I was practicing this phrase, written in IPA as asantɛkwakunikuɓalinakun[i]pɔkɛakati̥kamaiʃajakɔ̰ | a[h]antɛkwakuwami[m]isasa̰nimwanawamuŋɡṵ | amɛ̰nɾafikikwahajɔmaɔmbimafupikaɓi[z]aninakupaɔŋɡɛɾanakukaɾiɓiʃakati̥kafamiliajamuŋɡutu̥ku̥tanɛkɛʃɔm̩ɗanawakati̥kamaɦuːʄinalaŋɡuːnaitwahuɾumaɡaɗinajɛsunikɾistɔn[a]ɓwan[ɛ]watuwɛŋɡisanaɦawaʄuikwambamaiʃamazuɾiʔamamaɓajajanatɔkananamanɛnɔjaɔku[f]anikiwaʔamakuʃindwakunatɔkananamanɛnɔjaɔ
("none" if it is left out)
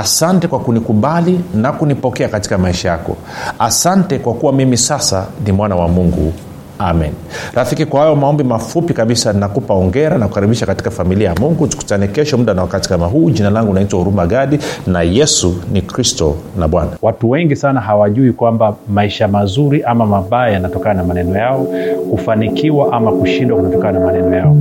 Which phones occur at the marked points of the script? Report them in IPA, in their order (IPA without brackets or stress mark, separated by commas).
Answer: i, s, m, s, a, a, f